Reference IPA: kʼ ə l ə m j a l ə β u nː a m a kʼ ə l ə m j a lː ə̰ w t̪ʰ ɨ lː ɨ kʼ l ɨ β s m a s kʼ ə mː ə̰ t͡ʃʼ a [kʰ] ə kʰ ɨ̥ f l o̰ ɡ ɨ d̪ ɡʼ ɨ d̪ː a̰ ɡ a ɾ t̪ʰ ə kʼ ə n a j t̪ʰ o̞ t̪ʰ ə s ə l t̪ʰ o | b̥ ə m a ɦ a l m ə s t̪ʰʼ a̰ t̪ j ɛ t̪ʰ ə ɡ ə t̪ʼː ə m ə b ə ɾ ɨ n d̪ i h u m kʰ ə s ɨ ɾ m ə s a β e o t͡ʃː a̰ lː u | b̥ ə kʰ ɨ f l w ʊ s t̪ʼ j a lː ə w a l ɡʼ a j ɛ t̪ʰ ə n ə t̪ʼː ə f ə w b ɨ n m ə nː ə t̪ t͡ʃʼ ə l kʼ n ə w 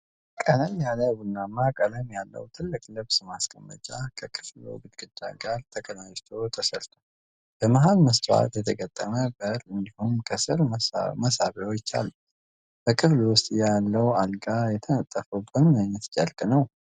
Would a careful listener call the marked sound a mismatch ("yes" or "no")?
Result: no